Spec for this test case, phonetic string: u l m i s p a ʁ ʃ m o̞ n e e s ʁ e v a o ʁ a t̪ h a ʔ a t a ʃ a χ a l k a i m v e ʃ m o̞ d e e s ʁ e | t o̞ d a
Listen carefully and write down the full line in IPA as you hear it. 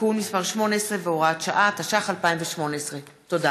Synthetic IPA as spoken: u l m i s p a ʁ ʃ m o̞ n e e s ʁ e v e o ʁ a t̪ ʃ a ʔ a t a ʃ a χ a l p a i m v e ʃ m o̞ n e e s ʁ e | t o̞ d a